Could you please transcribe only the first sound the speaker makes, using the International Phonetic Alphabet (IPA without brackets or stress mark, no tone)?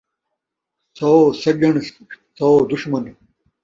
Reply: s